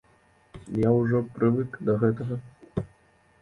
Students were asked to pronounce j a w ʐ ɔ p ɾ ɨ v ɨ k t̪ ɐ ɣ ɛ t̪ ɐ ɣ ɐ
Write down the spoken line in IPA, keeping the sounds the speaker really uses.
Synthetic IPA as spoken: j a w ʐ ɔ p ɾ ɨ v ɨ k d̪ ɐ ɣ ɛ t̪ ɐ ɣ ɐ